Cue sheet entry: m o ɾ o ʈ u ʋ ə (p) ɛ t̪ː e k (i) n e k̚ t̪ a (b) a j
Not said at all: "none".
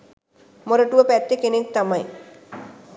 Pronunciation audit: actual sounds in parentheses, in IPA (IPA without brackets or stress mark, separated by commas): p, e, m